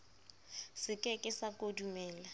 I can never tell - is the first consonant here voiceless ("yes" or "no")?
yes